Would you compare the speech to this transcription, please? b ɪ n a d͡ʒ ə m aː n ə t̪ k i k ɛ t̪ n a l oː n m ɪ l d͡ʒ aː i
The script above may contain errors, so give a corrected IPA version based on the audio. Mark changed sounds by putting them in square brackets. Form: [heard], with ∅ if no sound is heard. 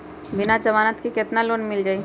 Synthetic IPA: b ɪ n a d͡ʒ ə m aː n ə t̪ k i k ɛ t̪ n a l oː n m ɪ l d͡ʒ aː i